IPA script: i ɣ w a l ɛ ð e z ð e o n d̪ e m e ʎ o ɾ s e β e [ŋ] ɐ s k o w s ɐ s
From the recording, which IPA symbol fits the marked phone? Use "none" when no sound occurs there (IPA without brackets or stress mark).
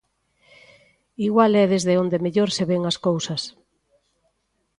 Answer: ŋ